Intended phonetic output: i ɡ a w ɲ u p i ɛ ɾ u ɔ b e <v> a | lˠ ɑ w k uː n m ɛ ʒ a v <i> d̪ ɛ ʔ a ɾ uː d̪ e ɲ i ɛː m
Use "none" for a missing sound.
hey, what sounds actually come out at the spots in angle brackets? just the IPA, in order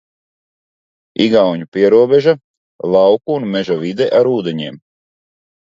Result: ʒ, i

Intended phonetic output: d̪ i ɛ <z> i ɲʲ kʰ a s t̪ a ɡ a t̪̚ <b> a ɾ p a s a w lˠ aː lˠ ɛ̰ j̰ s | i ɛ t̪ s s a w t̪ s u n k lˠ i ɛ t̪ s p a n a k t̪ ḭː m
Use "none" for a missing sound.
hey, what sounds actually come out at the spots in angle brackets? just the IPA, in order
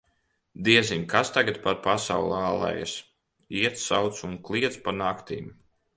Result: z, p

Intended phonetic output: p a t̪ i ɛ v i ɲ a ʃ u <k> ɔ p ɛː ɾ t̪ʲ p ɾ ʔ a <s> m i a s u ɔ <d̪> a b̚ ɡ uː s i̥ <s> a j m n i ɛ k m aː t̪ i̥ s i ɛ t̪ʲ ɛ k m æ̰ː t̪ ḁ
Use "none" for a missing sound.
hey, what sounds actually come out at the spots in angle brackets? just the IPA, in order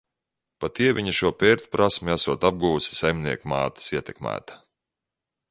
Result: none, s, t̪, s

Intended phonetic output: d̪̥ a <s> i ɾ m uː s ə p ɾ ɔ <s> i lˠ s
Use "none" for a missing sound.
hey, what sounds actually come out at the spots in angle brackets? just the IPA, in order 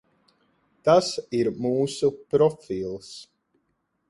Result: s, f

